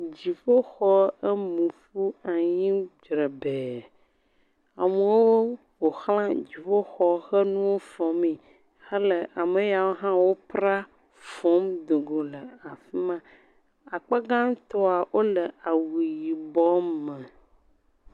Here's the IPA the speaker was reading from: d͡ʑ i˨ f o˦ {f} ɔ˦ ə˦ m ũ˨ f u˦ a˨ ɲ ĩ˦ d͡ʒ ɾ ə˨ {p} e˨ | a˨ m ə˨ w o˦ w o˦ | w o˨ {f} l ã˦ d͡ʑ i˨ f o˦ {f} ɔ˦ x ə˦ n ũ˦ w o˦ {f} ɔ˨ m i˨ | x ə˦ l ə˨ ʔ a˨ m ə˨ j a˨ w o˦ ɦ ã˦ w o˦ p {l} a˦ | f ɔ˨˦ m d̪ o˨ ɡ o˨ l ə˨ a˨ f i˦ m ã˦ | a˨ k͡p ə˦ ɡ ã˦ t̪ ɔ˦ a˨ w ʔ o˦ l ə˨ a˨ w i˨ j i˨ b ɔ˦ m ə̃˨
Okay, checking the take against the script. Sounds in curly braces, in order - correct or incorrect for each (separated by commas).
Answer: incorrect, incorrect, incorrect, incorrect, correct, incorrect